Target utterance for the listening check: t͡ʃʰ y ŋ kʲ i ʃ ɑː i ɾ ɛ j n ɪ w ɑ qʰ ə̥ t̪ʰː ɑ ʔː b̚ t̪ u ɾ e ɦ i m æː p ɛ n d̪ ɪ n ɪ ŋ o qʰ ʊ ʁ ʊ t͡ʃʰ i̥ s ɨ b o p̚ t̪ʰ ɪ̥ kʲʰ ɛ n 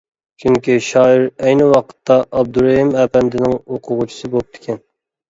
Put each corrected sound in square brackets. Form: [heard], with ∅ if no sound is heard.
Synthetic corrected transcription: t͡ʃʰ y ŋ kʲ i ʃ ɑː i ɾ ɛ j n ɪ w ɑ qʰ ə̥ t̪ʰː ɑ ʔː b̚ [d̪] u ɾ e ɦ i m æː p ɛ n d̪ ɪ n ɪ ŋ o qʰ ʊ ʁ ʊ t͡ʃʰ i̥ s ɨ b o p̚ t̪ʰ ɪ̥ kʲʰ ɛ n